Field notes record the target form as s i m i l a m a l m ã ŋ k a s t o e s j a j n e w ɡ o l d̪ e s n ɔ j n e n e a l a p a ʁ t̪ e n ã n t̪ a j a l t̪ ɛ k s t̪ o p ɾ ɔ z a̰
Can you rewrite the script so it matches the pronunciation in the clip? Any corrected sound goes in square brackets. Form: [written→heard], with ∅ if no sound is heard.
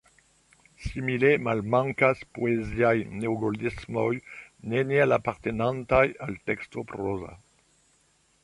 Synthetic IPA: s i m i l [a→e] m a l m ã ŋ k a s [t→p] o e [s→z] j a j n e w ɡ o l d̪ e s [n→m] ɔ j n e n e a l a p a ʁ t̪ e n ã n t̪ a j a l t̪ ɛ k s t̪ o p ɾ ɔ z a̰